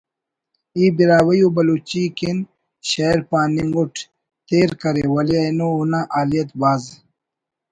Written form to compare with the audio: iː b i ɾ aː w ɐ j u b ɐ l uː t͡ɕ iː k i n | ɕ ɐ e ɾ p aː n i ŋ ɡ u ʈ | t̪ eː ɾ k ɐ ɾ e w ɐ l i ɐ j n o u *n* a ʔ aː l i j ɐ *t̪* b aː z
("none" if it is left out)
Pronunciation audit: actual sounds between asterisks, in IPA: n, t̪

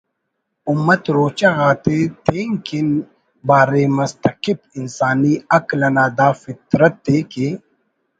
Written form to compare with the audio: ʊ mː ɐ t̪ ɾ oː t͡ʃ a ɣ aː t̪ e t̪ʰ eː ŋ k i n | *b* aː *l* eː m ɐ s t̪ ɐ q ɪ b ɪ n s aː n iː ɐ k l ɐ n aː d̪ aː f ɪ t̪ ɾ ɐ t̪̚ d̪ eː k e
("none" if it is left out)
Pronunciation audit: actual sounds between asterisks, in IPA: b, ɾ

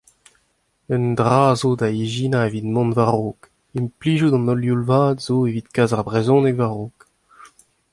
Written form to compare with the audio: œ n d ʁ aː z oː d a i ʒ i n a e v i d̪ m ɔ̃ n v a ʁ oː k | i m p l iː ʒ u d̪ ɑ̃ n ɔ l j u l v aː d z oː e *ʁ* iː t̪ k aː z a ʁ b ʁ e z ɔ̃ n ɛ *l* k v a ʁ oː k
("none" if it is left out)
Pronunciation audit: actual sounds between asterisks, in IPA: v, none

